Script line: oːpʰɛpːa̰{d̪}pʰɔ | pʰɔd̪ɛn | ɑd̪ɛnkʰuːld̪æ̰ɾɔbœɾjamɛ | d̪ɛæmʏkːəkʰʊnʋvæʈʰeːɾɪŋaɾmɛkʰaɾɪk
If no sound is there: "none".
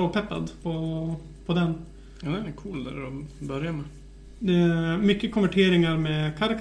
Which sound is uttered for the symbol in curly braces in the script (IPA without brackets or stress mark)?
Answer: d̪